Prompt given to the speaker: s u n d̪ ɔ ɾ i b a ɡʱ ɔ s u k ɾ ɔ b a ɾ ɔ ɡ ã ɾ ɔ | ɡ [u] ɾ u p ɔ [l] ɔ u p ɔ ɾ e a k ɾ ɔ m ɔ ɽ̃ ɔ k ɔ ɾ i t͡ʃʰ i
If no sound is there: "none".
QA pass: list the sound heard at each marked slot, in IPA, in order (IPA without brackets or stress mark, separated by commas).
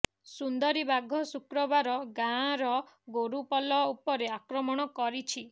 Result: o, l